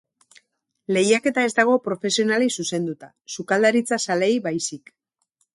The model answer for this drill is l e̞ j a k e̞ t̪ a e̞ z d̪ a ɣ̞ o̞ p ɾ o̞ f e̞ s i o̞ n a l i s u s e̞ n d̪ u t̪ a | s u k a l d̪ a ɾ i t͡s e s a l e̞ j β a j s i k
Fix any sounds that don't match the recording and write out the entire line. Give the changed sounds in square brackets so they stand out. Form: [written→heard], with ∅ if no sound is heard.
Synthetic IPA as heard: l e̞ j a k e̞ t̪ a e̞ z d̪ a ɣ̞ o̞ p ɾ o̞ f e̞ s i o̞ n a l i s u s e̞ n d̪ u t̪ a | s u k a l d̪ a ɾ i t͡s [e→a] s a l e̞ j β a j s i k